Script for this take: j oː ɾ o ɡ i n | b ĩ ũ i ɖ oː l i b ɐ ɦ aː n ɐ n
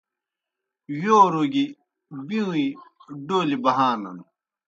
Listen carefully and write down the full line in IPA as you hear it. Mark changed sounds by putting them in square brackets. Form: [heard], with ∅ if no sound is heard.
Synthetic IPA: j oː ɾ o ɡ i [∅] | b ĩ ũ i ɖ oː l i b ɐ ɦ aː n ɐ n